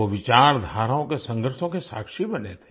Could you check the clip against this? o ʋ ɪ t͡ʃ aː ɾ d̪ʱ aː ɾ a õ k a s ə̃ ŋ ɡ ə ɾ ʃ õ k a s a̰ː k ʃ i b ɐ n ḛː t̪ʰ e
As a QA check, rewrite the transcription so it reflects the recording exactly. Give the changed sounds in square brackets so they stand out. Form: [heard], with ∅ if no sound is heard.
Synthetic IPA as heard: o ʋ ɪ t͡ʃ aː ɾ d̪ʱ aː ɾ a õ k [e] s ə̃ ŋ ɡ ə ɾ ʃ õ k [e] s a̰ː k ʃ i b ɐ n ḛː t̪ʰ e